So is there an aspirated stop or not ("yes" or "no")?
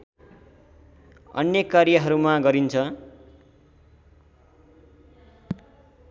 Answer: yes